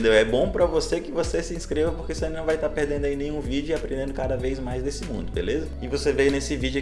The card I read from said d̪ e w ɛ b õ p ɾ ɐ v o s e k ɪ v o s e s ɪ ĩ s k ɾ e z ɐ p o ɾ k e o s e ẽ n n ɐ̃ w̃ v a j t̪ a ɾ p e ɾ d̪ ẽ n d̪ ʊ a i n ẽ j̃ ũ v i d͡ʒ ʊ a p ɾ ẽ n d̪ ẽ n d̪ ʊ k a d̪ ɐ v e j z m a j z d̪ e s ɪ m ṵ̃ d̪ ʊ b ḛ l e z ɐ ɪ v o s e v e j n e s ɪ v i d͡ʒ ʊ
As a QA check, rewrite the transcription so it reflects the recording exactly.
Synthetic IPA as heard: d̪ e w ɛ b õ p ɾ ɐ v o s e k ɪ v o s e s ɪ ĩ s k ɾ e v ɐ p o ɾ k e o s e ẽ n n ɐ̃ w̃ v a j t̪ a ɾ p e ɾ d̪ ẽ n d̪ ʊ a i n ẽ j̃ ũ v i d͡ʒ ʊ a p ɾ ẽ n d̪ ẽ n d̪ ʊ k a d̪ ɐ v e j z m a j z d̪ e s ɪ m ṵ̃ d̪ ʊ b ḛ l e z ɐ ɪ v o s e v e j n e s ɪ v i d͡ʒ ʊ